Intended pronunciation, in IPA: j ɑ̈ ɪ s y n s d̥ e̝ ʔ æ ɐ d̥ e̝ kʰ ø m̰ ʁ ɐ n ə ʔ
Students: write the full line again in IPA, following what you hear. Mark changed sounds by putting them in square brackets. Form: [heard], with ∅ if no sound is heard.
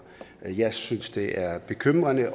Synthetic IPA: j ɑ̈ ɪ s y n s d̥ e̝ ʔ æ ɐ [b̥] e̝ kʰ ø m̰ ʁ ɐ n ə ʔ